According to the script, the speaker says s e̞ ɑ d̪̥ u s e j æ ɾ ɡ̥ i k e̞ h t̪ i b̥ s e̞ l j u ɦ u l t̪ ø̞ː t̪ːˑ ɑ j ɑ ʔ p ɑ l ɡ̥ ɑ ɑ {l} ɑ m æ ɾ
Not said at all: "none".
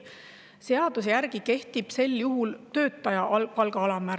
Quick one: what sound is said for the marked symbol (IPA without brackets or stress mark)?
l